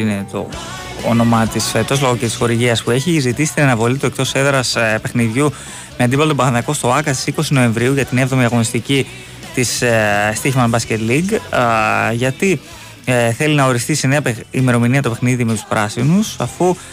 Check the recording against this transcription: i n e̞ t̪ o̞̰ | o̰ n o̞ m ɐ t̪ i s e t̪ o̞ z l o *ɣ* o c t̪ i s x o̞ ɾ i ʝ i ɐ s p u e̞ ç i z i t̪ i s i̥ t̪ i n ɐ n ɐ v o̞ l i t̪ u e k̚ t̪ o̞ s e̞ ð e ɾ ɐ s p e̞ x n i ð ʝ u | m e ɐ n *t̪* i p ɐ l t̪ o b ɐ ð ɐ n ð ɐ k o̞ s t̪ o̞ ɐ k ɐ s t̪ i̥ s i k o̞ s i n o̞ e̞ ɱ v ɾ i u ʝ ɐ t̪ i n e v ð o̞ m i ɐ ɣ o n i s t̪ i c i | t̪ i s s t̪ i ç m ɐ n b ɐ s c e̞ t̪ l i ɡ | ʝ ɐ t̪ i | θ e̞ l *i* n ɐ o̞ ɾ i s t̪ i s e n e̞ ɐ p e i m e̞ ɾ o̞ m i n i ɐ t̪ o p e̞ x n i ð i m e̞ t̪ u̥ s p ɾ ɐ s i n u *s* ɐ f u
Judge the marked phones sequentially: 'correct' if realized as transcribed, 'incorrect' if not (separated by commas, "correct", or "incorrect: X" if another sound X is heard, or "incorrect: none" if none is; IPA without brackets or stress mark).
correct, incorrect: d̪, correct, correct